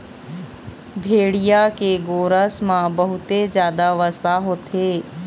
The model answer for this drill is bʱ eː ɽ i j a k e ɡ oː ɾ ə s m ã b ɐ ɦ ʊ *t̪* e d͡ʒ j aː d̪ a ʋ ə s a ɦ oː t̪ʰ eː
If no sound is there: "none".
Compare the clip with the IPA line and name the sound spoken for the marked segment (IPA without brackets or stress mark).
t̪